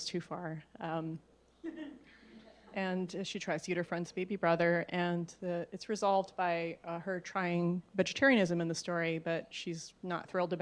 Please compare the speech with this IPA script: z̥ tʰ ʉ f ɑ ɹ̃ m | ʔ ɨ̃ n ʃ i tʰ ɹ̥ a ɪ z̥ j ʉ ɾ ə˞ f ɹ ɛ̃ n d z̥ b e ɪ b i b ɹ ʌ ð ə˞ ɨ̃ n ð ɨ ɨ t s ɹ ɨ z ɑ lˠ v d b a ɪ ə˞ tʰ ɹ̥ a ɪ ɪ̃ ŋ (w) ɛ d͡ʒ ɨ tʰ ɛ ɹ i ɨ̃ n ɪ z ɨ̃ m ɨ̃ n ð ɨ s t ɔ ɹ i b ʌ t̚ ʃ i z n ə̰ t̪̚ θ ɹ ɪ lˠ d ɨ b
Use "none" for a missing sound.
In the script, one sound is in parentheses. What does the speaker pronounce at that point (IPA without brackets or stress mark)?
v